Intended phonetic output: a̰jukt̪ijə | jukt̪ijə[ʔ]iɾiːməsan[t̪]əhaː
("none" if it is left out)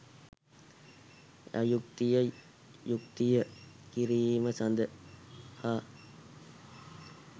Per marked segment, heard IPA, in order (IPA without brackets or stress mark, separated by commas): k, d̪